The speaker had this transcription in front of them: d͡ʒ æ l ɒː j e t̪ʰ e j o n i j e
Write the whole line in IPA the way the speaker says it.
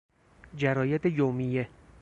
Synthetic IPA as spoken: d͡ʒ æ ɾ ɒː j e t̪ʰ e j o m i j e